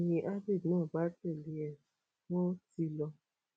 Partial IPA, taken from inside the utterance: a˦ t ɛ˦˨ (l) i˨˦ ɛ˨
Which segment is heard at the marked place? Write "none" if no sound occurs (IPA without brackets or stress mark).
l